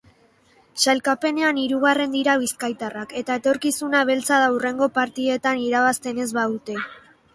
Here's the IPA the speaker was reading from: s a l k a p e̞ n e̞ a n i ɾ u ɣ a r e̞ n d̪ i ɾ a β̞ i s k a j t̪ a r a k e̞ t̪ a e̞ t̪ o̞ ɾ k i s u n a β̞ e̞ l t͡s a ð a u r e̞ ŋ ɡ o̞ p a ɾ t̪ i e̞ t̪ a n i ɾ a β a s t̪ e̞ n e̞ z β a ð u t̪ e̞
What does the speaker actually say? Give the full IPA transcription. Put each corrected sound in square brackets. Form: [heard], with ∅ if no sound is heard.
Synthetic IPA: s a l k a p e̞ n e̞ a n i ɾ u ɣ a r e̞ n d̪ i ɾ a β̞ i s k a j t̪ a r a k e̞ t̪ a e̞ t̪ o̞ ɾ k i s u n a β̞ e̞ l t͡s a ð a u r e̞ ŋ ɡ o̞ p a ɾ t̪ i e̞ t̪ a n i ɾ a β a s t̪ e̞ n e̞ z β a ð u t̪ e̞